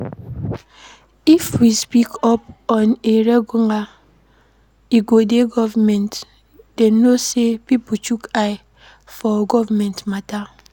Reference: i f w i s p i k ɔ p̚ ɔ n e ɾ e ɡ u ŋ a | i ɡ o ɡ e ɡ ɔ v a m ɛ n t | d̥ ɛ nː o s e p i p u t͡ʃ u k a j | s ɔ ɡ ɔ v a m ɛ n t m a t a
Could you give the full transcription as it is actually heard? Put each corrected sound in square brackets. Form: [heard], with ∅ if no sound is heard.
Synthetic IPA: i f w i s p i k ɔ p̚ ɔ n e ɾ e ɡ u ŋ a | i ɡ o [d] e ɡ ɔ v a m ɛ n t | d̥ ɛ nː o s e p i p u t͡ʃ u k a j | [f] ɔ ɡ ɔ v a m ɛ n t m a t a